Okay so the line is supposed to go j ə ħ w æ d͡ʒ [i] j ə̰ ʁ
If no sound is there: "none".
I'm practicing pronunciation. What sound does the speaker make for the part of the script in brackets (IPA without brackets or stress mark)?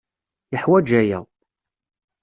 æ